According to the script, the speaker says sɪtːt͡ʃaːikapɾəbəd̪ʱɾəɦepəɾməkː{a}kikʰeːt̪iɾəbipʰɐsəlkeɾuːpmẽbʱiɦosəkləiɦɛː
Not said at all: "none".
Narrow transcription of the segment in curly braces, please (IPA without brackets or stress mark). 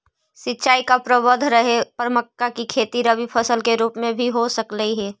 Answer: a